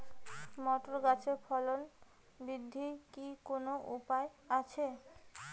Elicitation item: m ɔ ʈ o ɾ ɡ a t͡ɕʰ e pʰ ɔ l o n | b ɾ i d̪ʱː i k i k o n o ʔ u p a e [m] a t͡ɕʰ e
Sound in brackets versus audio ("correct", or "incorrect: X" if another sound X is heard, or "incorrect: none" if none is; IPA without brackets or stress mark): incorrect: none